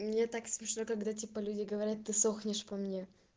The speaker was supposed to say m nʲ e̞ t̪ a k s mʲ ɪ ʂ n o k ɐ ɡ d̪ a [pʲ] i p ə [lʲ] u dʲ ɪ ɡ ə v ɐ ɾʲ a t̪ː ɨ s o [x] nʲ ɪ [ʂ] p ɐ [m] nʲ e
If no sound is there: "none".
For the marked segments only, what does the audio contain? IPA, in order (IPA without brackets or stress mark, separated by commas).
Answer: tʲ, lʲ, x, ʂ, m